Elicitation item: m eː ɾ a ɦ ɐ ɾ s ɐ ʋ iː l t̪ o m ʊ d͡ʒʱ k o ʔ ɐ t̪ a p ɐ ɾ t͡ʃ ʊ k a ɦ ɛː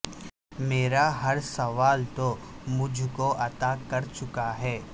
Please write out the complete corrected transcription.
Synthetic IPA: m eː ɾ a ɦ ɐ ɾ s ɐ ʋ aː l t̪ o m ʊ d͡ʒʱ k o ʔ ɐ t̪ a k ɐ ɾ t͡ʃ ʊ k a ɦ ɛː